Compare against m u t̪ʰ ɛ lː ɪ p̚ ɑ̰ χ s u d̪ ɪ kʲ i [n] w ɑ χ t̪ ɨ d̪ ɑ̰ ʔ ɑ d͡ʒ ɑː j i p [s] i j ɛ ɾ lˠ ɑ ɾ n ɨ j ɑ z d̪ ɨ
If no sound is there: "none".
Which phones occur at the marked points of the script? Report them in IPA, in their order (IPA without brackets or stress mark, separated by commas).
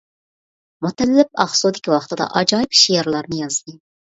none, ʃ